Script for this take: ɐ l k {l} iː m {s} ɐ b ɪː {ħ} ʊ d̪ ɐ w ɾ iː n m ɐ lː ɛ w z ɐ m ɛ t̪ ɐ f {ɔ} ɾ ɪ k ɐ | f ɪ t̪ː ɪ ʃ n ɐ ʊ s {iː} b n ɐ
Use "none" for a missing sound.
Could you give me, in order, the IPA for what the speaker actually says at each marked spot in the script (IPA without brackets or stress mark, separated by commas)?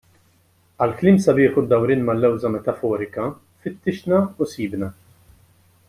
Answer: l, s, ħ, ɔː, iː